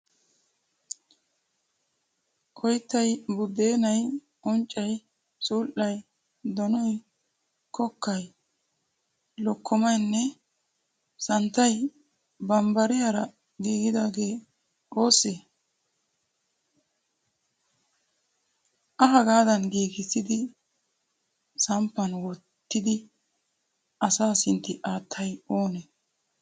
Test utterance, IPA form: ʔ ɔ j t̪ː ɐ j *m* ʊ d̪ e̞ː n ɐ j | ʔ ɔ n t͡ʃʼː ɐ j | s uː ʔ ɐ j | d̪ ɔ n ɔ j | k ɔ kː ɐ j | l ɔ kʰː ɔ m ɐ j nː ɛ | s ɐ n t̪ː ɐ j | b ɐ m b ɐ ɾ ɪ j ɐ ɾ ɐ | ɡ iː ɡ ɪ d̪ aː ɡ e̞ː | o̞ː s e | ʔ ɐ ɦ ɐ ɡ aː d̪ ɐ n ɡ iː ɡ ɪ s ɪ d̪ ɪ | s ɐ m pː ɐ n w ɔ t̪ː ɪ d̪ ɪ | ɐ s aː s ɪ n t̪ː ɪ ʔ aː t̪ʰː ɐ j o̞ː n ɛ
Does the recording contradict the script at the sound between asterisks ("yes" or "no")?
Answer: yes